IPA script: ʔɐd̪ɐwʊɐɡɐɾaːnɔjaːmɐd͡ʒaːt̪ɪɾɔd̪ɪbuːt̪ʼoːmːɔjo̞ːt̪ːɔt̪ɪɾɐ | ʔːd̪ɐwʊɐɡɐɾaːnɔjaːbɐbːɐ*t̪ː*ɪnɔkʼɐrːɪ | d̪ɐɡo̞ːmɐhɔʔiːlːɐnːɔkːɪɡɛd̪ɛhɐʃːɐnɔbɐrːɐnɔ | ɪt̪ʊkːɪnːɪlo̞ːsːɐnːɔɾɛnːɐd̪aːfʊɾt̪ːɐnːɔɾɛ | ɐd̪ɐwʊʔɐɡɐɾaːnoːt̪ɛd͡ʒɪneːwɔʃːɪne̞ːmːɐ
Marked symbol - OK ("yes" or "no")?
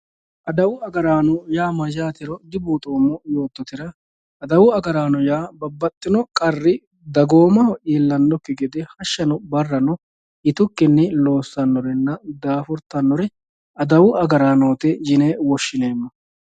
no